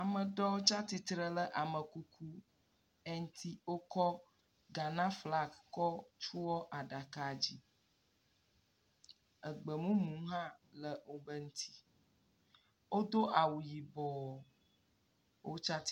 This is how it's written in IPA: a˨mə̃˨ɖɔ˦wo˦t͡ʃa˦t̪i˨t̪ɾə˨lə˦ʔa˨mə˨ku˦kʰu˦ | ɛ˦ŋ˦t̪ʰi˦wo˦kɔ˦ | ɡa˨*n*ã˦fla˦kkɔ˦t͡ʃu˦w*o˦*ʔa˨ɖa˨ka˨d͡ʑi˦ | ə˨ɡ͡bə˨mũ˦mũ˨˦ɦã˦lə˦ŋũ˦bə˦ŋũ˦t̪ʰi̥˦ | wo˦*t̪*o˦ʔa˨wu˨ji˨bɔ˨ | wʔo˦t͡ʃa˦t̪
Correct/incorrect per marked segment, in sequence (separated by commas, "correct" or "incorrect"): correct, incorrect, incorrect